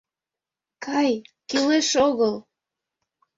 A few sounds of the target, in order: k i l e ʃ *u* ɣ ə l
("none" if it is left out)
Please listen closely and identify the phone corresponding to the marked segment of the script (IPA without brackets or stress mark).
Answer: o